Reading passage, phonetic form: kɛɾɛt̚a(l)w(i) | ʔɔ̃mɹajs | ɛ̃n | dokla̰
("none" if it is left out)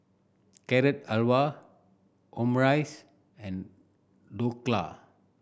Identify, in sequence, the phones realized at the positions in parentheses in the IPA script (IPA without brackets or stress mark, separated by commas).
l, a